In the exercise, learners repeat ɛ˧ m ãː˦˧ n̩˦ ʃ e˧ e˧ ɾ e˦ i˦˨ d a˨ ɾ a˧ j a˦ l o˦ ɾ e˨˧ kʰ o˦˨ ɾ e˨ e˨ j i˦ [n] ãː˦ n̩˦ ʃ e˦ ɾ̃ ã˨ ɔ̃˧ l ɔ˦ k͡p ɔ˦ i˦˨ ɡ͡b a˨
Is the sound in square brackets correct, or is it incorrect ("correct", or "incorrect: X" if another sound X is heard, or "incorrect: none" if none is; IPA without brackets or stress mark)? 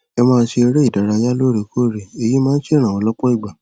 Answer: incorrect: m